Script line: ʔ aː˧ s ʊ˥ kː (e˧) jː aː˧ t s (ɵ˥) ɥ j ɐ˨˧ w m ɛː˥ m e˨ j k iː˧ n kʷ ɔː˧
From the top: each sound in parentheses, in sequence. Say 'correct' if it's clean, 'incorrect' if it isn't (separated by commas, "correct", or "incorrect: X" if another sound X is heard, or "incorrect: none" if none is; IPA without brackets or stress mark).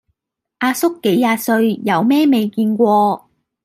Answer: incorrect: e˨˥, incorrect: ɵ˧